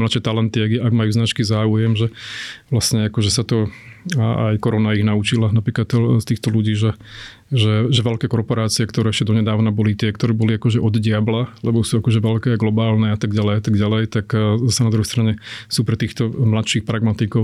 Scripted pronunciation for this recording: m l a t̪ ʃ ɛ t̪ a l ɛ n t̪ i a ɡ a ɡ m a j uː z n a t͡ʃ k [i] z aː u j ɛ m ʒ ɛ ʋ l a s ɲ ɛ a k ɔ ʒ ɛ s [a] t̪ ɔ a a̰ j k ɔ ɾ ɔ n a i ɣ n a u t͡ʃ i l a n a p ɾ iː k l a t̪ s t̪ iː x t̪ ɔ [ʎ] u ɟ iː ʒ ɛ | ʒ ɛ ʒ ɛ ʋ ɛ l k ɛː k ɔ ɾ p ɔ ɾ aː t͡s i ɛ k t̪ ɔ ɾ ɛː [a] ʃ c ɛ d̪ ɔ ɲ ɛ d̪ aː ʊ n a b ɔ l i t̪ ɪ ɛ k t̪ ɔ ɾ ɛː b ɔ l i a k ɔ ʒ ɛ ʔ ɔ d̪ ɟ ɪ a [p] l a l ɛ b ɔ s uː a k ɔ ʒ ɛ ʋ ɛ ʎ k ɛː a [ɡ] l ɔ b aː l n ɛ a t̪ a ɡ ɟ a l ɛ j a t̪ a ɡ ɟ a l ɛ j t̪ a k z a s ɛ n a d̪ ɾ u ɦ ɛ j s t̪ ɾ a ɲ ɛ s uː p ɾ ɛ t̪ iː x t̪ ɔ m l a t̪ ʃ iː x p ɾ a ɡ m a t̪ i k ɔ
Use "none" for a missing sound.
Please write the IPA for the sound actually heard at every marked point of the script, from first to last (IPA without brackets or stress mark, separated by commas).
i, a, l, ɛ, b, ɡ